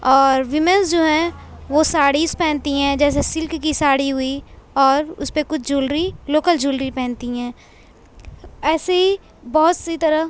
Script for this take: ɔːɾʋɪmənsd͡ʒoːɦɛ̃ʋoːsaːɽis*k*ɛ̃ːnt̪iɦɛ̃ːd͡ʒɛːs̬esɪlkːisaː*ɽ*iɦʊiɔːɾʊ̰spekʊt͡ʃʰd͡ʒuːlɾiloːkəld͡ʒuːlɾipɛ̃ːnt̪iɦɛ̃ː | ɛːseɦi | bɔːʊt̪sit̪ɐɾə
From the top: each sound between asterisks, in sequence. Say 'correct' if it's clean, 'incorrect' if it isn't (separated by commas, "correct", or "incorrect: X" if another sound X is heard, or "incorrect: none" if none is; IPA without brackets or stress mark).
incorrect: p, correct